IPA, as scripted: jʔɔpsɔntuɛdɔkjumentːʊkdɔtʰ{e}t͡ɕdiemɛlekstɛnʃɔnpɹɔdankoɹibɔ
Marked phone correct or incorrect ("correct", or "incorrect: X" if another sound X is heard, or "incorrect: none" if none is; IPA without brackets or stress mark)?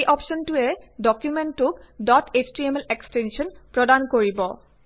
correct